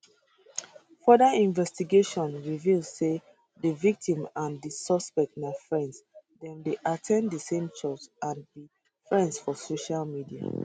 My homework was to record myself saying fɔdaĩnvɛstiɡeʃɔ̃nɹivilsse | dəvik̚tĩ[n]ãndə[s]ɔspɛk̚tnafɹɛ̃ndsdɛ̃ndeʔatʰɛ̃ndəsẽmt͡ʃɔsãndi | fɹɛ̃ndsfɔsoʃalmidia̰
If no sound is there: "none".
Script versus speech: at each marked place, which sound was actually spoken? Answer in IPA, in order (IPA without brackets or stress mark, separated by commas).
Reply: m, s